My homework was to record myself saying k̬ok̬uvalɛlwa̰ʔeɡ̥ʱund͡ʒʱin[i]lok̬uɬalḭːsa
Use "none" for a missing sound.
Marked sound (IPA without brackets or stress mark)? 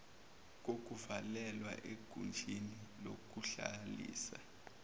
i